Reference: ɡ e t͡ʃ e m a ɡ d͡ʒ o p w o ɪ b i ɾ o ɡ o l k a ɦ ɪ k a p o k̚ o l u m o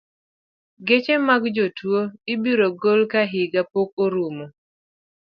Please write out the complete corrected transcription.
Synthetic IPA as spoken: ɡ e t͡ʃ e m a ɡ d͡ʒ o t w o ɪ b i ɾ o ɡ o l k a ɦ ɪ ɡ a p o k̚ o ɾ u m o

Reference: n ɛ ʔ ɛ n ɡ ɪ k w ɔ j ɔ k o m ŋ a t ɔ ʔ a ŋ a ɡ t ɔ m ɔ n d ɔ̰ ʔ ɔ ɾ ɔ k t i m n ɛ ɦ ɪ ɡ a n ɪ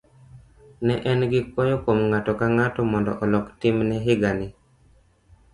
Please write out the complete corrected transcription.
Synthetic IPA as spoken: n ɛ ʔ ɛ n ɡ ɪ k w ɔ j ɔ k o m ŋ a t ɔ k a ŋ a t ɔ m ɔ n d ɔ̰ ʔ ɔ l ɔ k t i m n ɛ ɦ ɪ ɡ a n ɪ

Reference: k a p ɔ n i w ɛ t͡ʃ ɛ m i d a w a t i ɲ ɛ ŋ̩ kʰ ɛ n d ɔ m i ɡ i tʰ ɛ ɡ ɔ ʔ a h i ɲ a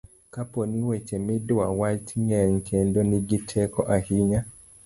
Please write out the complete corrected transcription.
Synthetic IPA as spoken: k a p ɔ n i w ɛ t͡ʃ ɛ m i d a w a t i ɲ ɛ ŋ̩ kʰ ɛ n d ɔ n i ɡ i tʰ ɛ k ɔ ʔ a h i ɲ a

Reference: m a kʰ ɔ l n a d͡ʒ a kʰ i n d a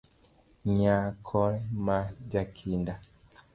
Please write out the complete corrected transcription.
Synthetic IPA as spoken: ɲ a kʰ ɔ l m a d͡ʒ a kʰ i n d a

